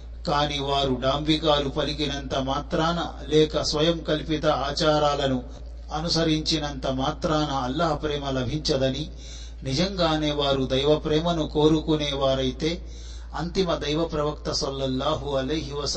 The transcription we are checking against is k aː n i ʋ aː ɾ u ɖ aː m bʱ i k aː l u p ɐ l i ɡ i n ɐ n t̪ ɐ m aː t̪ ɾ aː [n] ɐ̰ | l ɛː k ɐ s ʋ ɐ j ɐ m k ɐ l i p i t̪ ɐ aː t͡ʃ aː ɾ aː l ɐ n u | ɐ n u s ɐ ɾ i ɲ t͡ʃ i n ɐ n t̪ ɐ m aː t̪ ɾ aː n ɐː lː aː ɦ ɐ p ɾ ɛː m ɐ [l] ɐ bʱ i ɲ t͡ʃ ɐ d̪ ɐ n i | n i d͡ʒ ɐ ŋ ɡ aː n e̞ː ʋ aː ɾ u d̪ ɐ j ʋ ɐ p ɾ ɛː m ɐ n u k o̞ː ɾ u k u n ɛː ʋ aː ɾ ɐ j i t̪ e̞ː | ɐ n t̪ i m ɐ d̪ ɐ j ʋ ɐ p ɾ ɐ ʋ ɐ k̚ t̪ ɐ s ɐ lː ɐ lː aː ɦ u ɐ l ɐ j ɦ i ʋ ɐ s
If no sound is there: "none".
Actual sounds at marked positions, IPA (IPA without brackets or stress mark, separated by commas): n, l